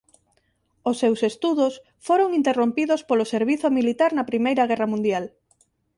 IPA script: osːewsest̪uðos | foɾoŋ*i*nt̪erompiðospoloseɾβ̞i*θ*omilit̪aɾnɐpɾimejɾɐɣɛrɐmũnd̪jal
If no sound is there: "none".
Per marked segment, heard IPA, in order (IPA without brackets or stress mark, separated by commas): i, θ